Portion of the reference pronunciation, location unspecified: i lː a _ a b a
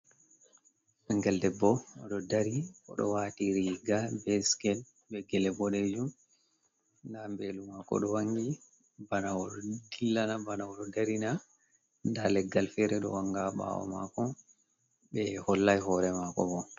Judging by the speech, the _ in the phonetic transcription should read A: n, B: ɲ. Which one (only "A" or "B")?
A